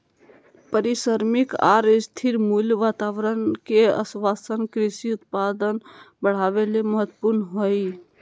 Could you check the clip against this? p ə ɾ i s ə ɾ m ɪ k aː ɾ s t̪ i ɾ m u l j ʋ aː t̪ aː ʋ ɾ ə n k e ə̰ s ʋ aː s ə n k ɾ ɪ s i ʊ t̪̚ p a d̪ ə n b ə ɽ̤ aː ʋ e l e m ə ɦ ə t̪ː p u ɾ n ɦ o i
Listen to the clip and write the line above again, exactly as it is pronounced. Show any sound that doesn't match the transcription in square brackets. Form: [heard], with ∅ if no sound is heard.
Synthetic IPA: p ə ɾ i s ə ɾ m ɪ k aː ɾ s [t̪ʰ] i ɾ m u l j ʋ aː t̪ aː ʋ ɾ ə n k e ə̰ s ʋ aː s ə n k ɾ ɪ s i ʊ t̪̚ p a d̪ ə n b ə ɽ̤ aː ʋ e l e m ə ɦ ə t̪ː p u ɾ n ɦ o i